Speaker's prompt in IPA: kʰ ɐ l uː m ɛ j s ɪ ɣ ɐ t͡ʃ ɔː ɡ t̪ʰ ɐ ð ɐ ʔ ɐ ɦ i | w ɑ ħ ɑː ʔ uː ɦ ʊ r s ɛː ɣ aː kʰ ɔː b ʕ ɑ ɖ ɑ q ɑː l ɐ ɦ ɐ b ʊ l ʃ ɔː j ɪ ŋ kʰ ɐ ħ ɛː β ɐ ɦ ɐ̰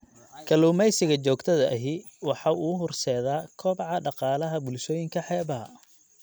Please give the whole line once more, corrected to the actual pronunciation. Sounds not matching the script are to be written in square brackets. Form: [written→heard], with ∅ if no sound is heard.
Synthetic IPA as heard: kʰ ɐ l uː m ɛ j s ɪ ɣ ɐ t͡ʃ ɔː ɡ t̪ʰ ɐ ð ɐ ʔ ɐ ɦ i | w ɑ ħ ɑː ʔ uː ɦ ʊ r s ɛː [ɣ→ð] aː kʰ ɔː b ʕ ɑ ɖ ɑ q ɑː l ɐ ɦ ɐ b ʊ l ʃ ɔː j ɪ ŋ kʰ ɐ ħ ɛː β ɐ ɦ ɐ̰